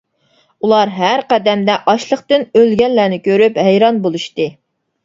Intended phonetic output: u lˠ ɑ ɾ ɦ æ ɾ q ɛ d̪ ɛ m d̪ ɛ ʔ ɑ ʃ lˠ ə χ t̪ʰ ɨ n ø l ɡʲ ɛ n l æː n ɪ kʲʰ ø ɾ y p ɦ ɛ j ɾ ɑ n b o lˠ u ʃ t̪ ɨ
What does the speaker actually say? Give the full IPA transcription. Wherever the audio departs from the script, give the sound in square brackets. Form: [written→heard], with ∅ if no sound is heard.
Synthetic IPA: u lˠ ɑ ɾ ɦ æ ɾ q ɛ d̪ ɛ m d̪ ɛ ʔ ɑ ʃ lˠ ə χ [t̪ʰ→t̪] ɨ n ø l ɡʲ ɛ n l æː n ɪ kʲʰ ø ɾ y p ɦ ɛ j ɾ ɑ n b o lˠ u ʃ t̪ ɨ